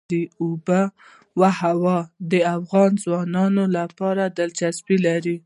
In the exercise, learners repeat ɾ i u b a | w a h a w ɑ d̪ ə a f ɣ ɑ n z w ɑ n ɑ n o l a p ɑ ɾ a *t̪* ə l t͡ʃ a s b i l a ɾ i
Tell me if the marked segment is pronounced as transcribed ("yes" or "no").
no